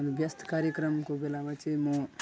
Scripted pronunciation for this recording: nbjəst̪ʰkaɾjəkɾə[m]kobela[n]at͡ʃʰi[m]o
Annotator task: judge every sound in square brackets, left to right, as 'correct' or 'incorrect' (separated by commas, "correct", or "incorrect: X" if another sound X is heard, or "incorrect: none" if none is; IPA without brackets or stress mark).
correct, incorrect: m, correct